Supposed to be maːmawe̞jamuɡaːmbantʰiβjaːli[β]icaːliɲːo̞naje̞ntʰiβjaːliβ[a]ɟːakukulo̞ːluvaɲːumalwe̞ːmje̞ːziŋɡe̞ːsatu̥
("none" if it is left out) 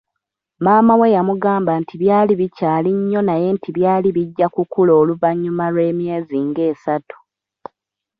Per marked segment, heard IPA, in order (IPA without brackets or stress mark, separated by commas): β, i